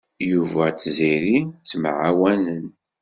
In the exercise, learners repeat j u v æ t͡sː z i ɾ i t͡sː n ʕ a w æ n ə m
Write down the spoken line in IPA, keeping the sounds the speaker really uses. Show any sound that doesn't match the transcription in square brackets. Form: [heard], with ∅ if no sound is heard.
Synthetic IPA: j u v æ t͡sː z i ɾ i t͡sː [m] ʕ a w æ n ə [n]